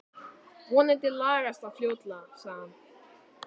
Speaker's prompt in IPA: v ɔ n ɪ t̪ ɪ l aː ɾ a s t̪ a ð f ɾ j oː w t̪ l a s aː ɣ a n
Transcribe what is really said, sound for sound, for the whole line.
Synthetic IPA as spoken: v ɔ n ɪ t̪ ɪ l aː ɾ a s t̪ a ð f l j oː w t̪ l a s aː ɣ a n

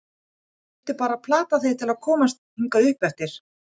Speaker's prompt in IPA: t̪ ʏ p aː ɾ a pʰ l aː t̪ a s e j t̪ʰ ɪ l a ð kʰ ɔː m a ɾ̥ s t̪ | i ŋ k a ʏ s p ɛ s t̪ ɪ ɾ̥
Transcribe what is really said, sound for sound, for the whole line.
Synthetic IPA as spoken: t̪ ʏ p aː ɾ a pʰ l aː t̪ a θ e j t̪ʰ ɪ l a ð kʰ ɔː m a s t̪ | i ŋ k a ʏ h p ɛ f t̪ ɪ ɾ̥

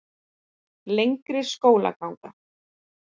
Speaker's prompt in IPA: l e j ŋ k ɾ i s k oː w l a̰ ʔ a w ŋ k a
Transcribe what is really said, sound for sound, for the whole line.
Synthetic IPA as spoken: l e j ŋ k ɾ ɪ s k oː w l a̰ k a w ŋ k a

